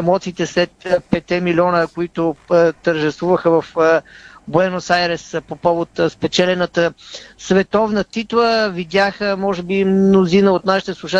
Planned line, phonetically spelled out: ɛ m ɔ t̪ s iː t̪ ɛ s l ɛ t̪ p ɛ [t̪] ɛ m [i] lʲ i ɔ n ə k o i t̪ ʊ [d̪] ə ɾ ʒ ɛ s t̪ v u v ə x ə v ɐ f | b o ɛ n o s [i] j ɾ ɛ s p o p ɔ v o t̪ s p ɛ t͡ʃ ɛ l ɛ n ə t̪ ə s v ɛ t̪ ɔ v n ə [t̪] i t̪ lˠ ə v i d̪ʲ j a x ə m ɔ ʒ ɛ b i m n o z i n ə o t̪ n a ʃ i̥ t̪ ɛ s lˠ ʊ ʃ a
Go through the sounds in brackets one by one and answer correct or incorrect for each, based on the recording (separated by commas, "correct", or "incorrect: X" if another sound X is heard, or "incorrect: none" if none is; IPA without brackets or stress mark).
correct, correct, incorrect: t̪, incorrect: a, correct